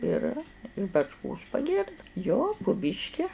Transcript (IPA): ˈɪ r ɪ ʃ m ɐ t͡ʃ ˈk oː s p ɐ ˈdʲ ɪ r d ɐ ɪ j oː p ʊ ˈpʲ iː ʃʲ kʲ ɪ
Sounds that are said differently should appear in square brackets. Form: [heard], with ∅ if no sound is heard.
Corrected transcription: ˈɪ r ɪ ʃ [b] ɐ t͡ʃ ˈk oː s p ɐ [ˈɡʲ] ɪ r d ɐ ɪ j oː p ʊ [ˈbʲ] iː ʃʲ kʲ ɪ